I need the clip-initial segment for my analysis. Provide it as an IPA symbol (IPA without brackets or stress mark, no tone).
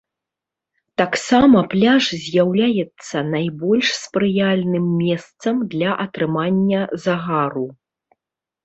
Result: t̪